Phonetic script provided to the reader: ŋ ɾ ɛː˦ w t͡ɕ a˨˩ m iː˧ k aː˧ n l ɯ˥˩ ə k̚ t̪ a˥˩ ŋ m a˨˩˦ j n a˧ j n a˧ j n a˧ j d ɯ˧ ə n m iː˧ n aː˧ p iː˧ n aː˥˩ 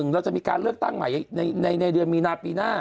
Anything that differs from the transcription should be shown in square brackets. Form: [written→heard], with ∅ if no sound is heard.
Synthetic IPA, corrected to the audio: ŋ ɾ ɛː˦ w t͡ɕ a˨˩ m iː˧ k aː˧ n l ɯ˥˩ ə k̚ t̪ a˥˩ ŋ m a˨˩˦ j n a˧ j n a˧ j n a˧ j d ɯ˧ ə n m iː˧ n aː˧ p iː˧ n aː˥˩